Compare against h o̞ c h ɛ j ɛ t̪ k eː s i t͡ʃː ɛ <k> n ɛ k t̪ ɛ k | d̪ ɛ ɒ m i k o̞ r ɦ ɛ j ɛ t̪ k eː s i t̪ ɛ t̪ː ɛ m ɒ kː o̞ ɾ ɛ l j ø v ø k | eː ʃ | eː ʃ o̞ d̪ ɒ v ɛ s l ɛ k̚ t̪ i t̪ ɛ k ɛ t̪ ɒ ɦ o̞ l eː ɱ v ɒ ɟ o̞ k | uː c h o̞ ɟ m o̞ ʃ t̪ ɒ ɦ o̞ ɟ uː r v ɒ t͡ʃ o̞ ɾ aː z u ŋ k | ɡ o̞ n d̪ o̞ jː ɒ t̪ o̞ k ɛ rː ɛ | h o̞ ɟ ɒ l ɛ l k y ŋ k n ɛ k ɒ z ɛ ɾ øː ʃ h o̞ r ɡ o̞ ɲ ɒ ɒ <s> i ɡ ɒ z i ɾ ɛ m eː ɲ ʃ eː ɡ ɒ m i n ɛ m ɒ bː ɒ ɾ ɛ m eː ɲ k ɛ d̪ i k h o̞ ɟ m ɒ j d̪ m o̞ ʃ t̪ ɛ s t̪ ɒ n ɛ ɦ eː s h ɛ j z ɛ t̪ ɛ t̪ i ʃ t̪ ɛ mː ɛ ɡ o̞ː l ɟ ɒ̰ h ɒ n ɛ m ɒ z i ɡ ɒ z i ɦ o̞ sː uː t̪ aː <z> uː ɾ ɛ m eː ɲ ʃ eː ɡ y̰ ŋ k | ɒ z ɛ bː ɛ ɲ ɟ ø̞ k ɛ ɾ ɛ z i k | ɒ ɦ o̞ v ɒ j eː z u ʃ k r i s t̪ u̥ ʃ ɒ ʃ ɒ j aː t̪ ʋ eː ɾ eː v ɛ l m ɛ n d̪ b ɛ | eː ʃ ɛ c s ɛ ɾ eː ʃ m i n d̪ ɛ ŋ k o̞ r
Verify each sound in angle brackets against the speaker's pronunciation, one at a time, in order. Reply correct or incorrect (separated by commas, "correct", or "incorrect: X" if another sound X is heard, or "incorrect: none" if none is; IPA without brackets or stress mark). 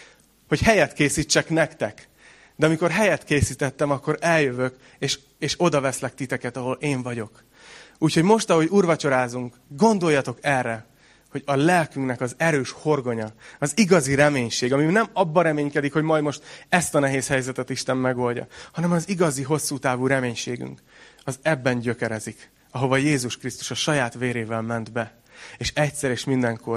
correct, incorrect: z, incorrect: v